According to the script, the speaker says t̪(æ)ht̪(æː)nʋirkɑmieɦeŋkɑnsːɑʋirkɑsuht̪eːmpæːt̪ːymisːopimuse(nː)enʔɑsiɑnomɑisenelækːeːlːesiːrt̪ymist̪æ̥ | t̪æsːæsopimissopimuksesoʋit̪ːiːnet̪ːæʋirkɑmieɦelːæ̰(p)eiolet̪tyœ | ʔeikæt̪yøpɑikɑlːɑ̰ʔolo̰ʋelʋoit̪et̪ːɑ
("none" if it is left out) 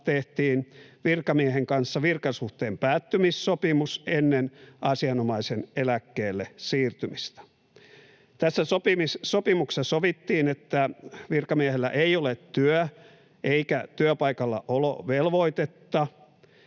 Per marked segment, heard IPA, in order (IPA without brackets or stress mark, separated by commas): e, iː, nː, ʔ